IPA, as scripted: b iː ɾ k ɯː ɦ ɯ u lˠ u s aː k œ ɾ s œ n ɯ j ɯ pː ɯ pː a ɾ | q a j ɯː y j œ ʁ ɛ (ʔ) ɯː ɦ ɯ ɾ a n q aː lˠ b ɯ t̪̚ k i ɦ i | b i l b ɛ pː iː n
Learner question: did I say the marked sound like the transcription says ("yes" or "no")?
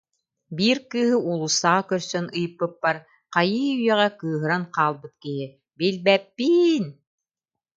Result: no